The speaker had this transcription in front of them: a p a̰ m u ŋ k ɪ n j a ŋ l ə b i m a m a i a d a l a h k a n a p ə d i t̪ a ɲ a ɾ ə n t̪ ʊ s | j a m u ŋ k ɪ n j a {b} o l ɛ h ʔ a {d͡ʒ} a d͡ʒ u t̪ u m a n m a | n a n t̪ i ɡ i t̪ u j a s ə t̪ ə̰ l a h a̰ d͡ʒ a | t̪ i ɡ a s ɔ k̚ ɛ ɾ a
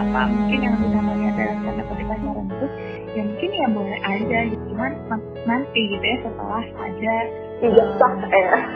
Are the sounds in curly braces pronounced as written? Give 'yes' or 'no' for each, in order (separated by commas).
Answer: yes, yes